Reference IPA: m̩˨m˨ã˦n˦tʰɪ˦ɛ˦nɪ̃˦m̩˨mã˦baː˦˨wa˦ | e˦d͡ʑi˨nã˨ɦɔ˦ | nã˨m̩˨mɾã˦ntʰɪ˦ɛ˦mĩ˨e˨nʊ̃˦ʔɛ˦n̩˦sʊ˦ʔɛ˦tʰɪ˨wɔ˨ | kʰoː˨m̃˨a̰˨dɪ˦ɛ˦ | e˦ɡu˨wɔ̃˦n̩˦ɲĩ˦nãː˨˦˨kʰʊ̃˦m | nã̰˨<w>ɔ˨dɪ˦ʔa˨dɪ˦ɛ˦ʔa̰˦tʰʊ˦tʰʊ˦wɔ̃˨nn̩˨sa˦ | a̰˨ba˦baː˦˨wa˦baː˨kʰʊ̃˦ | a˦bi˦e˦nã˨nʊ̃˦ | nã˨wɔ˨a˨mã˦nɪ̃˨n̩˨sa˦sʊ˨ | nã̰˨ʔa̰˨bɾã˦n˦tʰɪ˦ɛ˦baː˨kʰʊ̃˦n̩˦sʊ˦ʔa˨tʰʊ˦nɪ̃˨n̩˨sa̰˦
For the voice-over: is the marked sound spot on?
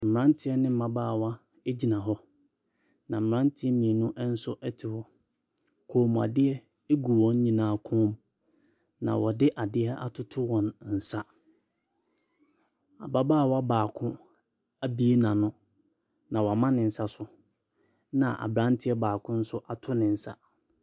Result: yes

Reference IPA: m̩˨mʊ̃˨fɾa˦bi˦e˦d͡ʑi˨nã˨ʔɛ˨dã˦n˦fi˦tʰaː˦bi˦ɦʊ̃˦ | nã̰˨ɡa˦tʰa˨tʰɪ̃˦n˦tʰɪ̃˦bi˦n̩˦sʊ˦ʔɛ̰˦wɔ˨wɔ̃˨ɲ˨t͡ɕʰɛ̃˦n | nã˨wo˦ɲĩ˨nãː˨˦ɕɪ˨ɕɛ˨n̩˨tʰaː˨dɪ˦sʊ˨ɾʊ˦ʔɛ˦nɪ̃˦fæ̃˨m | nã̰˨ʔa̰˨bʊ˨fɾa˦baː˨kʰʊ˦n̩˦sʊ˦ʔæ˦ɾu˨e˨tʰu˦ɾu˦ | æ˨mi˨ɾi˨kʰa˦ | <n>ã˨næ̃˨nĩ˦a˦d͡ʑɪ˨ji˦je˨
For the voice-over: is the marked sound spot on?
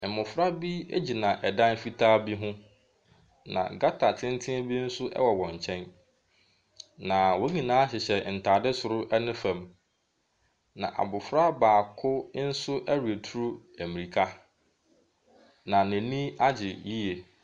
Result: yes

